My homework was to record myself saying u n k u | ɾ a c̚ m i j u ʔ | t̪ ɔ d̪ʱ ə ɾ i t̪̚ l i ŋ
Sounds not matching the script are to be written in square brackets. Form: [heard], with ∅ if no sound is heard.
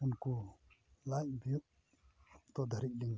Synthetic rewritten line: u n k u | [l] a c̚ [b] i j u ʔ | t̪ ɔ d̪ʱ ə ɾ i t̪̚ l i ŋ